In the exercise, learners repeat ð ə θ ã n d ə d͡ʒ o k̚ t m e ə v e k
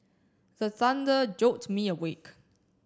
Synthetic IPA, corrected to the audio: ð ə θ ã n d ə d͡ʒ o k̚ t m i ə w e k